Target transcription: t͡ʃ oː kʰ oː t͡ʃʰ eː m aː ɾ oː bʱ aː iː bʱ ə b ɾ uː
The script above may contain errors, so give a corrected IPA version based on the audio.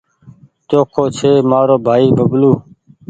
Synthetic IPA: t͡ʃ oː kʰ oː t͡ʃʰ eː m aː ɾ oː bʱ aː iː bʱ ə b l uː